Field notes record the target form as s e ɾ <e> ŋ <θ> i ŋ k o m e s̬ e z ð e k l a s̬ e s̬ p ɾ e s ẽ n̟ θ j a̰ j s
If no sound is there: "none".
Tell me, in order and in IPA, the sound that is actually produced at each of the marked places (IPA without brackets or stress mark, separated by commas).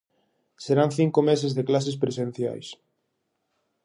a, θ